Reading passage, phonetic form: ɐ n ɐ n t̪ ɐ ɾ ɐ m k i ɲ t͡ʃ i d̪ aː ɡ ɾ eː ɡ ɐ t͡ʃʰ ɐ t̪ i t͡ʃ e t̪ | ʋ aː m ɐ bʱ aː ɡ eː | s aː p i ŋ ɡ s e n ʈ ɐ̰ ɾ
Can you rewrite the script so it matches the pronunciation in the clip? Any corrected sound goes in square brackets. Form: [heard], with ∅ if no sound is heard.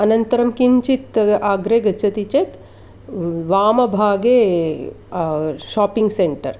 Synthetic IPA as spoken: ɐ n ɐ n t̪ ɐ ɾ ɐ m k i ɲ t͡ʃ i [t̪] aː ɡ ɾ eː ɡ ɐ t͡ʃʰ ɐ t̪ i t͡ʃ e t̪ | ʋ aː m ɐ bʱ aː ɡ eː | [ʃ] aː p i ŋ ɡ s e [ɳ] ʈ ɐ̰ ɾ

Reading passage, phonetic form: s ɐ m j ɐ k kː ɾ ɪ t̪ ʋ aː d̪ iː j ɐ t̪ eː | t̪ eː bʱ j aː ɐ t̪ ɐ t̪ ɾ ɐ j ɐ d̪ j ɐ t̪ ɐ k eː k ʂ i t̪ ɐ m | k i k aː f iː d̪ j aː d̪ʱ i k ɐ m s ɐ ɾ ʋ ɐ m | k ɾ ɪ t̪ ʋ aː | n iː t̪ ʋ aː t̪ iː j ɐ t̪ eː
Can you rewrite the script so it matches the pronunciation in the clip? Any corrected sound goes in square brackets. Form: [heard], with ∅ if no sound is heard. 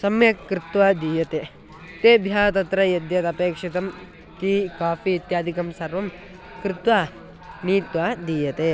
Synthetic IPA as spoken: s ɐ m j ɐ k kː ɾ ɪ t̪ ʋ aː d̪ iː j ɐ t̪ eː | t̪ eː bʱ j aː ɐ t̪ ɐ t̪ ɾ ɐ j ɐ d̪ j ɐ t̪ ɐ [p] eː k ʂ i t̪ ɐ m | k i k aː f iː [t̪] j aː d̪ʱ i k ɐ m s ɐ ɾ ʋ ɐ m | k ɾ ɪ t̪ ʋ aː | n iː t̪ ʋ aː [d̪] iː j ɐ t̪ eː

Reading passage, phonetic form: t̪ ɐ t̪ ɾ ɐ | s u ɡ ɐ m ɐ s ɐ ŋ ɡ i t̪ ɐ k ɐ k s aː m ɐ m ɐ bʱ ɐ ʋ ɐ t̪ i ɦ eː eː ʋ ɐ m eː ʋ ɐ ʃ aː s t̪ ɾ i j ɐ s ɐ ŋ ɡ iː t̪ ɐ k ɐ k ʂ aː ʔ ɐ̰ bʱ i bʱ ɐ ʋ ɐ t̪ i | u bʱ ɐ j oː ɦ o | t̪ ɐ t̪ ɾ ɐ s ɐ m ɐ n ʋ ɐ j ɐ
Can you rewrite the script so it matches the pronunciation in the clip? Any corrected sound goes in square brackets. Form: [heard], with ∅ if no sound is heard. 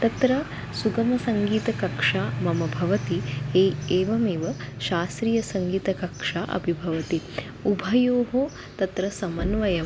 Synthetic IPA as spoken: t̪ ɐ t̪ ɾ ɐ | s u ɡ ɐ m ɐ s ɐ ŋ ɡ [iː] t̪ ɐ k ɐ k [ʂ] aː m ɐ m ɐ bʱ ɐ ʋ ɐ t̪ i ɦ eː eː ʋ ɐ m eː ʋ ɐ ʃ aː s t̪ ɾ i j ɐ s ɐ ŋ ɡ iː t̪ ɐ k ɐ k ʂ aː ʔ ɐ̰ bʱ i bʱ ɐ ʋ ɐ t̪ i | u bʱ ɐ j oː ɦ o | t̪ ɐ t̪ ɾ ɐ s ɐ m ɐ n ʋ ɐ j ɐ

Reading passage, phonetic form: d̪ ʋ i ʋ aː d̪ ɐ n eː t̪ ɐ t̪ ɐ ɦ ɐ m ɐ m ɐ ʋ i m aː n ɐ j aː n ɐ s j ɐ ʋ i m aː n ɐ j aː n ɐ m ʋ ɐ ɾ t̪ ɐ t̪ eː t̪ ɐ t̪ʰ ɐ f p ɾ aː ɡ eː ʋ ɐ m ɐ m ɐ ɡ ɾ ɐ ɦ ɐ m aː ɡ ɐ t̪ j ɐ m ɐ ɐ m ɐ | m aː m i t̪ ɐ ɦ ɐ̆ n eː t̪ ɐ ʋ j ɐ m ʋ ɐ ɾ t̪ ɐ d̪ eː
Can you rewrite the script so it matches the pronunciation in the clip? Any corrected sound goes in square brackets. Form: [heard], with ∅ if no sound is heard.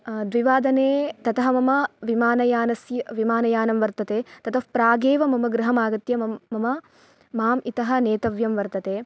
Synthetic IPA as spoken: d̪ ʋ i ʋ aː d̪ ɐ n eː t̪ ɐ t̪ ɐ ɦ ɐ m ɐ m ɐ ʋ i m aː n ɐ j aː n ɐ s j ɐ ʋ i m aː n ɐ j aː n ɐ m ʋ ɐ ɾ t̪ ɐ t̪ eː t̪ ɐ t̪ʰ ɐ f p ɾ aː ɡ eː ʋ ɐ m ɐ m ɐ ɡ ɾ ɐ ɦ ɐ m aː ɡ ɐ t̪ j ɐ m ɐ ɐ m ɐ | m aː m i t̪ ɐ ɦ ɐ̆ n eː t̪ ɐ ʋ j ɐ m ʋ ɐ ɾ t̪ ɐ [t̪] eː

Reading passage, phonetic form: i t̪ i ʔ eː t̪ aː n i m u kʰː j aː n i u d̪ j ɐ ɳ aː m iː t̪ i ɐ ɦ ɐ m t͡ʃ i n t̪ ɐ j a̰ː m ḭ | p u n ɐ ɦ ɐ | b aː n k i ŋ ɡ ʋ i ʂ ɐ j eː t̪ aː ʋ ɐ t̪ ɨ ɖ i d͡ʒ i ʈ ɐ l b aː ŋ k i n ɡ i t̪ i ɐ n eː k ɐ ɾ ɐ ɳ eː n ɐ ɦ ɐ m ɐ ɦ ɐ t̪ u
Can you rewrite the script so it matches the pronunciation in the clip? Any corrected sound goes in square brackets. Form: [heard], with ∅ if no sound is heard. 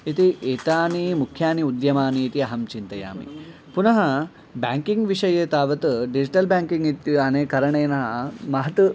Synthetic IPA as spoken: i t̪ i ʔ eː t̪ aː n i m u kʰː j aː n i u d̪ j ɐ [m] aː [n] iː t̪ i ɐ ɦ ɐ m t͡ʃ i n t̪ ɐ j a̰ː m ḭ | p u n ɐ ɦ ɐ | b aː [ŋ] k i ŋ ɡ ʋ i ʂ ɐ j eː t̪ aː ʋ ɐ t̪ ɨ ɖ i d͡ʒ i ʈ ɐ l b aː ŋ k i [ŋ] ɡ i t̪ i ɐ n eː k ɐ ɾ ɐ ɳ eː n ɐ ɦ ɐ m ɐ ɦ ɐ t̪ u

